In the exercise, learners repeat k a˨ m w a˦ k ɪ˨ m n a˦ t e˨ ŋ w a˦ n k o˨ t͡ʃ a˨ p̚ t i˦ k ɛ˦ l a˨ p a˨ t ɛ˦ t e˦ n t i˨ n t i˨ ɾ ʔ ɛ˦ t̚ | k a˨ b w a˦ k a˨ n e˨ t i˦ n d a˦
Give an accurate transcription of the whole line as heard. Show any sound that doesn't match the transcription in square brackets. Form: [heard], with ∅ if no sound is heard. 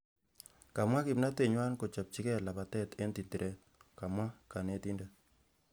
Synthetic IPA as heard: k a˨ m w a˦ k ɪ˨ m n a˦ t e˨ [ɲ] w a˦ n k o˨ t͡ʃ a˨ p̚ [t͡ʃ] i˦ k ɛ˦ l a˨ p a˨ t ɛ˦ t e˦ n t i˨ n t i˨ ɾ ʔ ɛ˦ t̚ | k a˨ [m] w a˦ k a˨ n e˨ t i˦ n d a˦